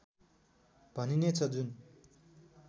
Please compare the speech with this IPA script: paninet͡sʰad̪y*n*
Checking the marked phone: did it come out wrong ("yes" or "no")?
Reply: no